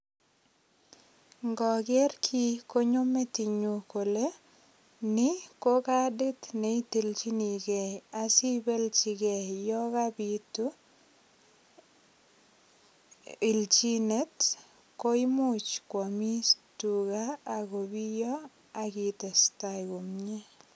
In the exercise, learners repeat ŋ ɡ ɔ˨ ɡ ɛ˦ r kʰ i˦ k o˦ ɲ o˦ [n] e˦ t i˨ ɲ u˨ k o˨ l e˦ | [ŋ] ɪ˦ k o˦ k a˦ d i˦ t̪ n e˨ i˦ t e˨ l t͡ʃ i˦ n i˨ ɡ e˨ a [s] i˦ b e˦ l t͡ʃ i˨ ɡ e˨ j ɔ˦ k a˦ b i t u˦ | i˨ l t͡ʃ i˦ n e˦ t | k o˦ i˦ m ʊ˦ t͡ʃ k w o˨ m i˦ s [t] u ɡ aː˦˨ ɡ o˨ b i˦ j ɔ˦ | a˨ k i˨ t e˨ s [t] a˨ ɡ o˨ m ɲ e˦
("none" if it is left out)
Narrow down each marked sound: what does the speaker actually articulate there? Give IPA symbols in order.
m, n, s, t, t

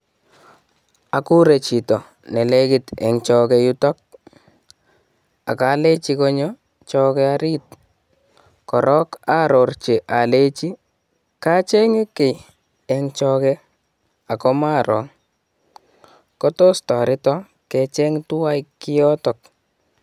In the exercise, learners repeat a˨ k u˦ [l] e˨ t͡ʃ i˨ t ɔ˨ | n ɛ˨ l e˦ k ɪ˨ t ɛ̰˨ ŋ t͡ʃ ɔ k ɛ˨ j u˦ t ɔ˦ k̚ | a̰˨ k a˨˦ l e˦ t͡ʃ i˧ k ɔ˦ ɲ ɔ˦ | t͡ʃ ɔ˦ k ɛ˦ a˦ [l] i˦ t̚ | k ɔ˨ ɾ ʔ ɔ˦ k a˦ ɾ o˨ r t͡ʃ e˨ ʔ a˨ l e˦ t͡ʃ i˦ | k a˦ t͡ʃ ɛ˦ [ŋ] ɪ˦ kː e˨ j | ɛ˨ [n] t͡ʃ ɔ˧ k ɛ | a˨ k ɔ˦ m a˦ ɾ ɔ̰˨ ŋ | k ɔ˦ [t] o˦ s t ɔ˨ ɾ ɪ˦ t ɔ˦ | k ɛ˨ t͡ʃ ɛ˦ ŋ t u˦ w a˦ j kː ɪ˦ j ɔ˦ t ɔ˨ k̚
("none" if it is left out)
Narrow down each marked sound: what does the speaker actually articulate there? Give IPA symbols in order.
ɾ, ɾ, ŋ, ŋ, t

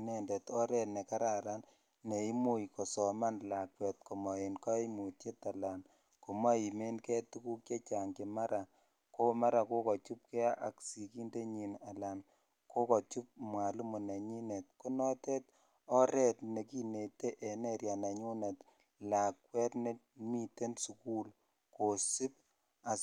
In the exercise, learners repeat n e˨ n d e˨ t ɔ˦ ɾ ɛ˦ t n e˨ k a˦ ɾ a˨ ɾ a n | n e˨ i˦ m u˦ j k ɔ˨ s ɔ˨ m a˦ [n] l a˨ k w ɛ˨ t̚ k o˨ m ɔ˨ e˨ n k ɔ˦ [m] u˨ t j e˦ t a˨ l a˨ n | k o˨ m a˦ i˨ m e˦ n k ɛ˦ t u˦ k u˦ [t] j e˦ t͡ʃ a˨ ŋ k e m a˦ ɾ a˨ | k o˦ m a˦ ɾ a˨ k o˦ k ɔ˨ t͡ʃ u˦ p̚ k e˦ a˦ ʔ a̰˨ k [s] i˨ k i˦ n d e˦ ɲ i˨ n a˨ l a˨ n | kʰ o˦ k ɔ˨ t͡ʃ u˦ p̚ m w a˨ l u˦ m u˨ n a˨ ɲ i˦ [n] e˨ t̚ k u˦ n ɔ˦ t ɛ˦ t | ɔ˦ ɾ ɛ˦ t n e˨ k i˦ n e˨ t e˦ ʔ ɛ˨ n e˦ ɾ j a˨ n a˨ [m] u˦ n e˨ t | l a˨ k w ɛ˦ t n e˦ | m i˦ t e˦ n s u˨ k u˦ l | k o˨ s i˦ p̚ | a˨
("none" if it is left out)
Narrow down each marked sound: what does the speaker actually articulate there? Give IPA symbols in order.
n, m, k, s, n, ɲ

